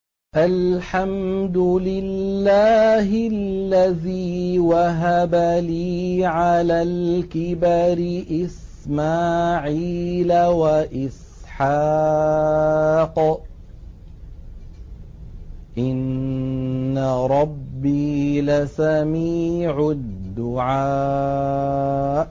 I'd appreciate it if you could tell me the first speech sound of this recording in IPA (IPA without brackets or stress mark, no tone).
ʔ